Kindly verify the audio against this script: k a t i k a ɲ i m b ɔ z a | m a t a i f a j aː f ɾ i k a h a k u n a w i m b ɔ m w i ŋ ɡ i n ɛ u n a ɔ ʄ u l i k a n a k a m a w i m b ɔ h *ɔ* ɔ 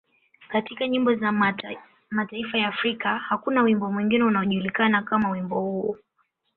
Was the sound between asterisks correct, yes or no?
no